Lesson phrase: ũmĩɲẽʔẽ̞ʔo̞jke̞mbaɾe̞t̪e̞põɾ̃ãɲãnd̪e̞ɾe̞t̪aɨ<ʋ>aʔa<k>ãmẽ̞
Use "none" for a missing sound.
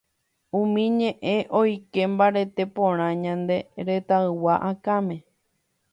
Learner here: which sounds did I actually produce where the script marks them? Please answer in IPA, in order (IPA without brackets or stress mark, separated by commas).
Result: w, k